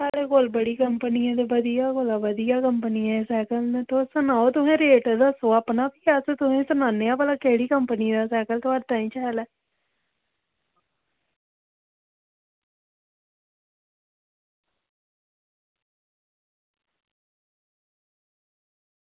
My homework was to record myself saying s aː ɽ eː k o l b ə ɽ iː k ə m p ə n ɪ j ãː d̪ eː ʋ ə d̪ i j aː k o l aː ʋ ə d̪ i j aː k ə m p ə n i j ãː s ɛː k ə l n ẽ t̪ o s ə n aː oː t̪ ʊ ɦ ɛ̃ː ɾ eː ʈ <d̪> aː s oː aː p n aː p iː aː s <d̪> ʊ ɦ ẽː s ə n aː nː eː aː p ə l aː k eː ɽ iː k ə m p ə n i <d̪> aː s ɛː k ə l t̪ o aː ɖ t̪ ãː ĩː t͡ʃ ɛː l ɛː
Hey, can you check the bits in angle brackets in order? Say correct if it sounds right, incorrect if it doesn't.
correct, incorrect, correct

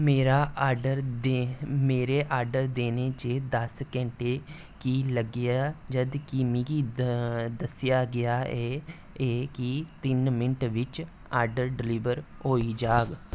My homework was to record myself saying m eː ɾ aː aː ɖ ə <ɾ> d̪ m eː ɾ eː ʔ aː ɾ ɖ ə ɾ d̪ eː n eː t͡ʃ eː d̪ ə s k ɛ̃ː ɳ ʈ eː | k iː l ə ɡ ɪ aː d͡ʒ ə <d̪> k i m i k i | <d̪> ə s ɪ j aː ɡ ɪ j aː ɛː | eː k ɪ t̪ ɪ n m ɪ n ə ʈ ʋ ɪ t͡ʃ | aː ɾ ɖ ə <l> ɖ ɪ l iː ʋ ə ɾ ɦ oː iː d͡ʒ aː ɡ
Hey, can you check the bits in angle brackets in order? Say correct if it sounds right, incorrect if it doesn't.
correct, correct, correct, incorrect

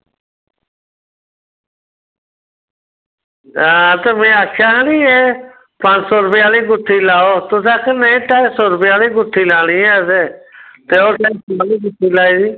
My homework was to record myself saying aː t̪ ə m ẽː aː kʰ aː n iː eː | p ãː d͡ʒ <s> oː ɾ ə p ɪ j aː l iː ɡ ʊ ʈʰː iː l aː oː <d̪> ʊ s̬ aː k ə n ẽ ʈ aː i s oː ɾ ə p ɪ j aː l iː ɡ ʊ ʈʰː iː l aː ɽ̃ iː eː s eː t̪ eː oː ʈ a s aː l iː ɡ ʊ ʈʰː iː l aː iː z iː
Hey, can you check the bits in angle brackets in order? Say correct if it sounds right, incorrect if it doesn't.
correct, incorrect

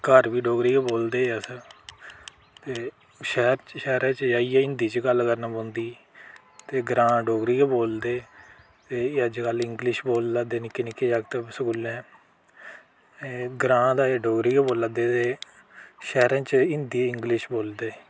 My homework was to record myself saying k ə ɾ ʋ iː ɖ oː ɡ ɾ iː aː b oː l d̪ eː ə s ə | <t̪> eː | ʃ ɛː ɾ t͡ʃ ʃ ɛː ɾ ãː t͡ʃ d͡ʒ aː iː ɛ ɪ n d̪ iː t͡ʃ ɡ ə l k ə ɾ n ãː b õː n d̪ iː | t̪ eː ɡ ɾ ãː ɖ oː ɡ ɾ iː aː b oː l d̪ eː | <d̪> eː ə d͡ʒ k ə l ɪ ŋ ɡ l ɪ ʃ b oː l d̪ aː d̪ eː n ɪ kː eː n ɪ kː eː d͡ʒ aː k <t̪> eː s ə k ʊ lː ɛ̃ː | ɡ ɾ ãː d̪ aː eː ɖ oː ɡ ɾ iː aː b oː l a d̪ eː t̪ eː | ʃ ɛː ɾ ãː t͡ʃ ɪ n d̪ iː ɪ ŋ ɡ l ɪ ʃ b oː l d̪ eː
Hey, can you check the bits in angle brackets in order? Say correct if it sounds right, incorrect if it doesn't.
correct, incorrect, correct

